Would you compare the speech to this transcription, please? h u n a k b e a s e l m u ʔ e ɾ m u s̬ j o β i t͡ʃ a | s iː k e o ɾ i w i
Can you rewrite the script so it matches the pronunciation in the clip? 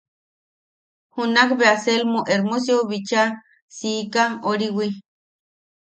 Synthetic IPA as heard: h u n a k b e a s e l m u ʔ e ɾ m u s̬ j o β i t͡ʃ a | s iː k a o ɾ i w i